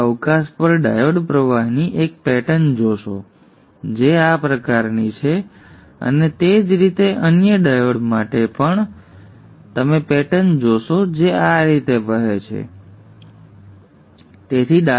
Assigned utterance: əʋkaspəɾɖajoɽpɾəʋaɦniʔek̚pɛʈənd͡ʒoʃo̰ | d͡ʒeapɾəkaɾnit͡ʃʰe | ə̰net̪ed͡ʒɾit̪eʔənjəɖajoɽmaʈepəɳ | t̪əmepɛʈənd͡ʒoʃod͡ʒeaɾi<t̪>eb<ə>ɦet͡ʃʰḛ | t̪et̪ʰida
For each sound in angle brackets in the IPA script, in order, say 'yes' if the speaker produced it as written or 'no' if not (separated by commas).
yes, yes